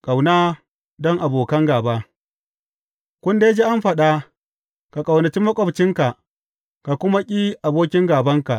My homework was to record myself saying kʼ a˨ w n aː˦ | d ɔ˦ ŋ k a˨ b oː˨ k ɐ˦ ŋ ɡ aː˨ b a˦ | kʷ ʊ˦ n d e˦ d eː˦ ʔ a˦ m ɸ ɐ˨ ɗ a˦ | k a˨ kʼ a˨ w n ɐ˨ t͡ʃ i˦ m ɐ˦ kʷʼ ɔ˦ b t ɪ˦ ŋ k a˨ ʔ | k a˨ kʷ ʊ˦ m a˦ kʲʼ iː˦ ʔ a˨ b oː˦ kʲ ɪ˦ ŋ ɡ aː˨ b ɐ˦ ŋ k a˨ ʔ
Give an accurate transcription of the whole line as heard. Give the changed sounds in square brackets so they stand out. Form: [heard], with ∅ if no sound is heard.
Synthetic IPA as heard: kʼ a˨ w n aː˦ | d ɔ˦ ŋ [ʔ] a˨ b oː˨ k ɐ˦ ŋ ɡ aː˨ b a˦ | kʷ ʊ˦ n d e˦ [d͡ʒ] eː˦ ʔ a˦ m ɸ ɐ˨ ɗ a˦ | k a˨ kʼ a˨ w n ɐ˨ t͡ʃ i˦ m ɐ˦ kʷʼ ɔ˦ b [t͡ʃ] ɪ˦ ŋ k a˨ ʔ | k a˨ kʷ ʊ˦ m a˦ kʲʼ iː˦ ʔ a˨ b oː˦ kʲ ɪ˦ ŋ ɡ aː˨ b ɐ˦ ŋ k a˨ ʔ